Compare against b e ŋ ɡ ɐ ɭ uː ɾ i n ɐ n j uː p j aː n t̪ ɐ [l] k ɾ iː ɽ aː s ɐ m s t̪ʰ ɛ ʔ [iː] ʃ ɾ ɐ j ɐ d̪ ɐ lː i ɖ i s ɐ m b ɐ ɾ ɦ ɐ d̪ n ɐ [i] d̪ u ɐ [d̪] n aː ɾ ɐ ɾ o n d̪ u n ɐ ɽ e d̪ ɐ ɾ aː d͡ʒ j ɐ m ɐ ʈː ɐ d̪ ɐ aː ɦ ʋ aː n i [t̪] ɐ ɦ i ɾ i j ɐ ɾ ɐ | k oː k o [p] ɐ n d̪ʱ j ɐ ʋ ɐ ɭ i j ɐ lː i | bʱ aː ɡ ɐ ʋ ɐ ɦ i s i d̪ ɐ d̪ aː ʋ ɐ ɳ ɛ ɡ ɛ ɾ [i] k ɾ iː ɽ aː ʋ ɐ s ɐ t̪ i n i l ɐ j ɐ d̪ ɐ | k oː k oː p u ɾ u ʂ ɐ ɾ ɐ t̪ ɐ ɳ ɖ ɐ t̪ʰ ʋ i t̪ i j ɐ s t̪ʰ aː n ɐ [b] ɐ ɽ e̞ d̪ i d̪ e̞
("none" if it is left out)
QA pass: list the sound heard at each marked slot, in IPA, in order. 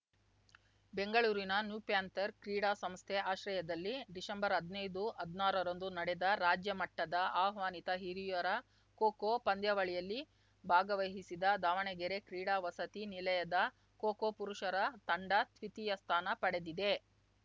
ɾ, aː, j, d̪, t̪, p, e, p

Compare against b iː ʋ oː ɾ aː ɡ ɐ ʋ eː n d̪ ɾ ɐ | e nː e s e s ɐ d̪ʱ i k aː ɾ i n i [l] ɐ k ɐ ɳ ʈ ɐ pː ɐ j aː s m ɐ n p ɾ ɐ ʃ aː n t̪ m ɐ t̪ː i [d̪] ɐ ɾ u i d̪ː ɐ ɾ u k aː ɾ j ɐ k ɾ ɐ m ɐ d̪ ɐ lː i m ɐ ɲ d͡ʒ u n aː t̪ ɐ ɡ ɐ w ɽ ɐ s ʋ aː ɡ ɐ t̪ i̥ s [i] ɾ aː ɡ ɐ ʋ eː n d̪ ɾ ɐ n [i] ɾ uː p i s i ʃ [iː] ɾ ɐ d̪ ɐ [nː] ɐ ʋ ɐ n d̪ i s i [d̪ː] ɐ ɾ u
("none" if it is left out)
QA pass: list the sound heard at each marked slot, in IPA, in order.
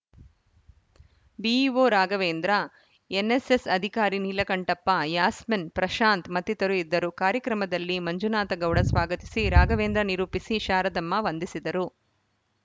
l, t̪, i, i, aː, mː, d̪

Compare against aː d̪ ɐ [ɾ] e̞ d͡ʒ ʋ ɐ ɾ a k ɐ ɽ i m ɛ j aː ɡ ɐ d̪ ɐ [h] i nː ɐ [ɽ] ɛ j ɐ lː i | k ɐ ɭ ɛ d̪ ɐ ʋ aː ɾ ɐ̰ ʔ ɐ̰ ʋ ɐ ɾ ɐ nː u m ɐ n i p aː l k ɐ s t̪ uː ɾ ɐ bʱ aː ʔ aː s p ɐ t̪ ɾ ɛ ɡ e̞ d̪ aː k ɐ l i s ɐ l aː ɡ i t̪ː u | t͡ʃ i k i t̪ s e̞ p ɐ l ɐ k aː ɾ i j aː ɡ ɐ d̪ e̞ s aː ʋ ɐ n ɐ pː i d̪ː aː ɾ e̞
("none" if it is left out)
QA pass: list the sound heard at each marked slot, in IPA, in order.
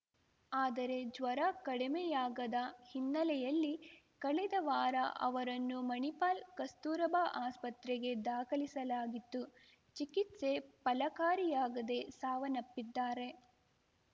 ɾ, h, l

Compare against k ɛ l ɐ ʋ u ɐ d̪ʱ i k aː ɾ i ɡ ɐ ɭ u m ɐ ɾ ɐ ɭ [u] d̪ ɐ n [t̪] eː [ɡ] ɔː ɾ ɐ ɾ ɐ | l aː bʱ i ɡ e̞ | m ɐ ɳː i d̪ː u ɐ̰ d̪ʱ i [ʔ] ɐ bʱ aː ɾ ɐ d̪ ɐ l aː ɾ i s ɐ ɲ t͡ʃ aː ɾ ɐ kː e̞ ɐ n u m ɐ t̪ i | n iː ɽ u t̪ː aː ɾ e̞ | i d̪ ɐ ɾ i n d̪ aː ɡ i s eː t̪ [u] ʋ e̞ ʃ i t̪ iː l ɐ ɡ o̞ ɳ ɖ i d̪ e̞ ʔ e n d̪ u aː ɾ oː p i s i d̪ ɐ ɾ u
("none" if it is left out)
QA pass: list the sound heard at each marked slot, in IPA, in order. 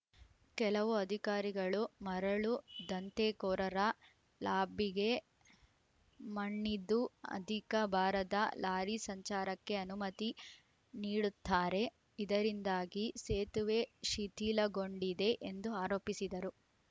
u, t̪, k, k, u

